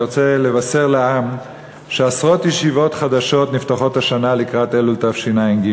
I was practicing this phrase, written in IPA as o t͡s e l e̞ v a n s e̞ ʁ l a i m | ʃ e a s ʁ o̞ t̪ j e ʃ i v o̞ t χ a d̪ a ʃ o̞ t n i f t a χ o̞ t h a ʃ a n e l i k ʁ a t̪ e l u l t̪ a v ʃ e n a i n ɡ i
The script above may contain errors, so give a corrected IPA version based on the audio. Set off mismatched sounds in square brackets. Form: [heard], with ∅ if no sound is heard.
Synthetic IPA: o t͡s e l e̞ v a [∅] s e̞ ʁ l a [a] m | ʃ e a s ʁ o̞ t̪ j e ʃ i v o̞ t χ a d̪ a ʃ o̞ t n i f t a χ o̞ t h a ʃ a n [a] l i k ʁ a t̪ e l u l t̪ a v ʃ [i] n a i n ɡ i